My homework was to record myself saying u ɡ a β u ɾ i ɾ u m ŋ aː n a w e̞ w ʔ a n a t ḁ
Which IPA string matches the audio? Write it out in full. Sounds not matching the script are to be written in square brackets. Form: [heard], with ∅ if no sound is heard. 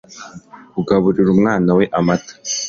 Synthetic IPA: u ɡ a β u ɾ i ɾ u m ŋ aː n a w e̞ [∅] ʔ a [m] a t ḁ